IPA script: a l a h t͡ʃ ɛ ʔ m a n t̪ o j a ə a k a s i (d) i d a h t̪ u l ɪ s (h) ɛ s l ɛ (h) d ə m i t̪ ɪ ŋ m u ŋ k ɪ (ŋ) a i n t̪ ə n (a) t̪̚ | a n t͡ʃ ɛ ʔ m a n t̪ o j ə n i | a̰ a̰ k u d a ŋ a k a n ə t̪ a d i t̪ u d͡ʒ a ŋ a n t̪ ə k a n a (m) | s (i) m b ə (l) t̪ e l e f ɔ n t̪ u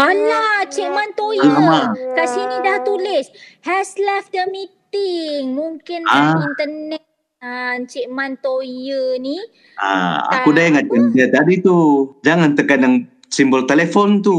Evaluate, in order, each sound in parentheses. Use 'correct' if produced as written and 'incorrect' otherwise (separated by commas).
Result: incorrect, correct, incorrect, incorrect, incorrect, incorrect, correct, correct